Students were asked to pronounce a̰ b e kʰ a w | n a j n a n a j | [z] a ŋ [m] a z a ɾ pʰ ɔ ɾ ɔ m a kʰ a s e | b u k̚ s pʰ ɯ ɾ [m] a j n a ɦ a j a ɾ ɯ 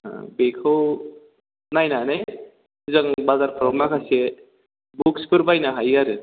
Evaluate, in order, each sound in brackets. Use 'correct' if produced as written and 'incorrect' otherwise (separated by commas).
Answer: correct, incorrect, incorrect